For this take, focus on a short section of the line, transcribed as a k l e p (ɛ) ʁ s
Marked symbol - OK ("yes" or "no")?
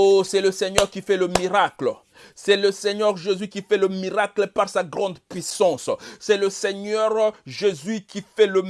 no